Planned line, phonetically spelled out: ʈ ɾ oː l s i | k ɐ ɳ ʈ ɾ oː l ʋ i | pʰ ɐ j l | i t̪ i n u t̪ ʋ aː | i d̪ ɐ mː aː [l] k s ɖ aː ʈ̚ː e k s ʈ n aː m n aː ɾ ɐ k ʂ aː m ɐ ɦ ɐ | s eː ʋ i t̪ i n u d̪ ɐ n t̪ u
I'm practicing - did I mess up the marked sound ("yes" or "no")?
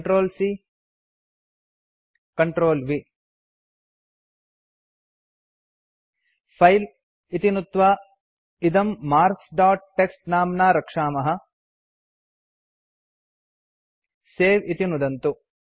yes